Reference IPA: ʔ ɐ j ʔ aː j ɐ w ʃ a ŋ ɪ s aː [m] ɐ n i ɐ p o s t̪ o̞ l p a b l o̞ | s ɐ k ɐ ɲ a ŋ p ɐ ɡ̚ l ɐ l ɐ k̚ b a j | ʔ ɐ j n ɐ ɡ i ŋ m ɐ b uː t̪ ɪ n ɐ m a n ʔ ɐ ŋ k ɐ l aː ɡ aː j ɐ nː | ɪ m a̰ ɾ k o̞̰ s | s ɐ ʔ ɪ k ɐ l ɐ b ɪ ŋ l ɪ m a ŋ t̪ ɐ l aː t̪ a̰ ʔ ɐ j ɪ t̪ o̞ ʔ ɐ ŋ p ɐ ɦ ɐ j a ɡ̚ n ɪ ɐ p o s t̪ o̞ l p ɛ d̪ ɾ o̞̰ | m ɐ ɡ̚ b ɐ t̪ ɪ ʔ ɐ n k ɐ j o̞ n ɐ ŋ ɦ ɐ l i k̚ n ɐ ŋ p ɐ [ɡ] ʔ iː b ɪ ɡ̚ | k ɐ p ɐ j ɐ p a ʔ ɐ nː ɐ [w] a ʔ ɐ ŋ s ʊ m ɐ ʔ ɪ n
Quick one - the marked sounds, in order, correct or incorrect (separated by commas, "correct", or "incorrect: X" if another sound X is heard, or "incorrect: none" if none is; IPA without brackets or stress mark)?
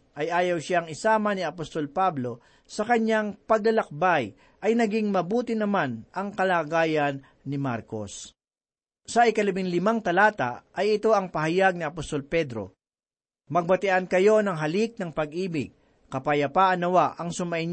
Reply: correct, correct, correct